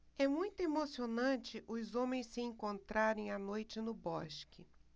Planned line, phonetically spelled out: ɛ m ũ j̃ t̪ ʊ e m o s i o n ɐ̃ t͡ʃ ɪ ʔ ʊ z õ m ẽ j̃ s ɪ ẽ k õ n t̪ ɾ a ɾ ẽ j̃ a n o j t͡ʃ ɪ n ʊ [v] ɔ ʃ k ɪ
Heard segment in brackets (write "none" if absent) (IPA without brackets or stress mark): b